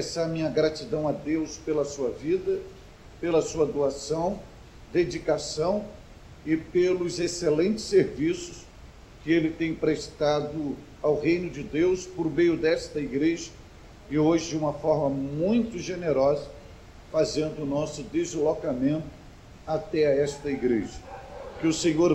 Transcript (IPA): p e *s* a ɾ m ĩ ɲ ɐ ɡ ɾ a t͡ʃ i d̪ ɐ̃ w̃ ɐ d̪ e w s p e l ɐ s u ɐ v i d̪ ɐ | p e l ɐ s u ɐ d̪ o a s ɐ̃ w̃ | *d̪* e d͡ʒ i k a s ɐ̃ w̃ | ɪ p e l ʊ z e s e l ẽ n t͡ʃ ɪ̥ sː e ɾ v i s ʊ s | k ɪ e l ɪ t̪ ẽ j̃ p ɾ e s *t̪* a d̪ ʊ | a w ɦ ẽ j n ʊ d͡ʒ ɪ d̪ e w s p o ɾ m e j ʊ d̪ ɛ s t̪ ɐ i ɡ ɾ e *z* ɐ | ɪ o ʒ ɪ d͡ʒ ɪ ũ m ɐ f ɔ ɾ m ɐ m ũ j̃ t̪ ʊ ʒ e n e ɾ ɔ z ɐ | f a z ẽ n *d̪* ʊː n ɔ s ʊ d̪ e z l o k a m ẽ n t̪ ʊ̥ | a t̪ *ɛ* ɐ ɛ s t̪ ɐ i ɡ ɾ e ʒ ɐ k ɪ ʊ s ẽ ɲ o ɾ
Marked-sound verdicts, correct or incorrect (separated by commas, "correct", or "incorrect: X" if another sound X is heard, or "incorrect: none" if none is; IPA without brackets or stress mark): correct, correct, correct, incorrect: ʒ, correct, correct